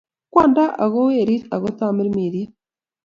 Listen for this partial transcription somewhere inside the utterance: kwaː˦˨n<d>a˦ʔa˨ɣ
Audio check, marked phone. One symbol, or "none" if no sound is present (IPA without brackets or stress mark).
d